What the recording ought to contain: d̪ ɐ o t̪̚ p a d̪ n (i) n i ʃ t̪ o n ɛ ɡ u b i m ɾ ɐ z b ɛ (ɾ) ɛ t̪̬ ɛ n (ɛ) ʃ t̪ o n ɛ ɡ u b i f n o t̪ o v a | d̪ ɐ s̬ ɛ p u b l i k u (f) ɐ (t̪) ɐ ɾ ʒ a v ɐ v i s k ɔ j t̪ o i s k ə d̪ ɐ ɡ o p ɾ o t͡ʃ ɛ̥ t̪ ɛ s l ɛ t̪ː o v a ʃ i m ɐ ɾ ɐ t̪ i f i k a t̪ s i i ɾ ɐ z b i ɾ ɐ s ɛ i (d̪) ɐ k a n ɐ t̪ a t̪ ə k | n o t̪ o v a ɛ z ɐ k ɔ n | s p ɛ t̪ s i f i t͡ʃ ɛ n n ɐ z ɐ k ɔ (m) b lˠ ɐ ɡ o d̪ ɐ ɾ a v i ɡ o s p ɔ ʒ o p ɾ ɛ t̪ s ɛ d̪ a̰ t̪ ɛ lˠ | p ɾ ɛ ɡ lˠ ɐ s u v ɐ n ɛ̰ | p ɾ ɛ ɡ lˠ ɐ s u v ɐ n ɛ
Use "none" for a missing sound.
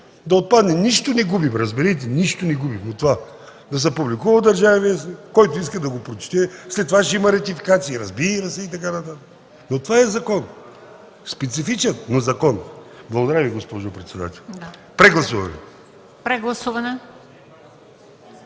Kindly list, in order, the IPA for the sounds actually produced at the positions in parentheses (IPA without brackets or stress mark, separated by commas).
ɛ, ɾ, i, v, d̪, t̪, n